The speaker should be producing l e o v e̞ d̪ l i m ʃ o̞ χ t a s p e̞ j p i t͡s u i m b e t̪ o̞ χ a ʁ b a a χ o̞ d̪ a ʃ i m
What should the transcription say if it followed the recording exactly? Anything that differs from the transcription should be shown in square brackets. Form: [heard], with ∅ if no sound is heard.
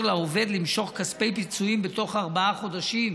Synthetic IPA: l [a] o v e̞ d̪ l i m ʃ o̞ χ [k] a s p e̞ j p i t͡s u i m b e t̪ o̞ χ a ʁ b a a χ o̞ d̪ a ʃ i m